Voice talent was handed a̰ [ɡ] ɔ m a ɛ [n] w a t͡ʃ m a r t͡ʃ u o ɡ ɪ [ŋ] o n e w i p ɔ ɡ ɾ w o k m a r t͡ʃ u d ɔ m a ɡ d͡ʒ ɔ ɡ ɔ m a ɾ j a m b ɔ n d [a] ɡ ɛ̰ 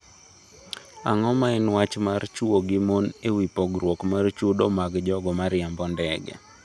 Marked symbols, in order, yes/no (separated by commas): no, yes, no, no